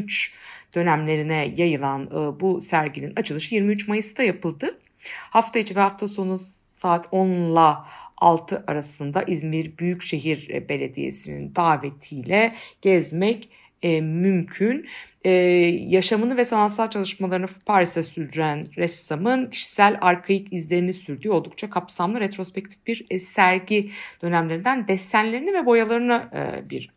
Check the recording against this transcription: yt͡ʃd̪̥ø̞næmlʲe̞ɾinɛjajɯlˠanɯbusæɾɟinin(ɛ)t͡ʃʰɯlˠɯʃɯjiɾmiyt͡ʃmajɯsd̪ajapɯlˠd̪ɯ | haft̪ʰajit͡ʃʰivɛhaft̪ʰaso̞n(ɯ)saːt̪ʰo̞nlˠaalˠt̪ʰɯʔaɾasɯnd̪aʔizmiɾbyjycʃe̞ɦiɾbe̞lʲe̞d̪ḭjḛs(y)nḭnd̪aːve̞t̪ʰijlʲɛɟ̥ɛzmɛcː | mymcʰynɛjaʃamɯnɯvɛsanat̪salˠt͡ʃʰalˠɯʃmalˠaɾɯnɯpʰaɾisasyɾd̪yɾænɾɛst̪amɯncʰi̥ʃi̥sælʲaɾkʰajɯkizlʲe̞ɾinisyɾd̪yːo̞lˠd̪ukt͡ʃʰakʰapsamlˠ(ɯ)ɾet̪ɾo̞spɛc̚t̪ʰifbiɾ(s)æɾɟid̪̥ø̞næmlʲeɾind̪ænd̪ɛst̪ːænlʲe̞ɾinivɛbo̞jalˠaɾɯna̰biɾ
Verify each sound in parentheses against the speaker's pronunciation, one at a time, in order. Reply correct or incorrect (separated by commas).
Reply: incorrect, incorrect, incorrect, correct, correct